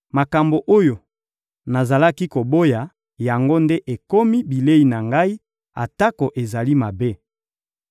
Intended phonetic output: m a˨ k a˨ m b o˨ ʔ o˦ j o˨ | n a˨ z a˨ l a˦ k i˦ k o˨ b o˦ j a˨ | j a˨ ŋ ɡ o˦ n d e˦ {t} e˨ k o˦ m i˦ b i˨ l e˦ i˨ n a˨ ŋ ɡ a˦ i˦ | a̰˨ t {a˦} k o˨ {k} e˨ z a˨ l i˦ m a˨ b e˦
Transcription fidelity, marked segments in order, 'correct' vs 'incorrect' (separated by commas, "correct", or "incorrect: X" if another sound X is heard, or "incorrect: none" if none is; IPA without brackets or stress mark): incorrect: ʔ, correct, incorrect: ʔ